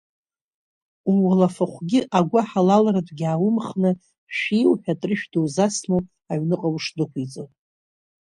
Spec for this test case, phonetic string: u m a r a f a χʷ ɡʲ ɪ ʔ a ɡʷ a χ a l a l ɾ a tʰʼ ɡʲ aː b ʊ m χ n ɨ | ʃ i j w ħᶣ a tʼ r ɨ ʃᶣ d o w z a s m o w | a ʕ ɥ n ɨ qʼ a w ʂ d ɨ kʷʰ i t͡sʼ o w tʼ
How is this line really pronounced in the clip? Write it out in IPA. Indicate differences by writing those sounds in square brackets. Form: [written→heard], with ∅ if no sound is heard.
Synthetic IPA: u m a [r→l] a f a χʷ ɡʲ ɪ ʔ a ɡʷ a [χ→ħ] a l a l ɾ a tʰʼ ɡʲ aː [b→w] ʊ m χ n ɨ | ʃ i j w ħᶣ a tʼ r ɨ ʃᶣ d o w z a s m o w | a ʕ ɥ n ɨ qʼ a w ʂ d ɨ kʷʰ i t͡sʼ o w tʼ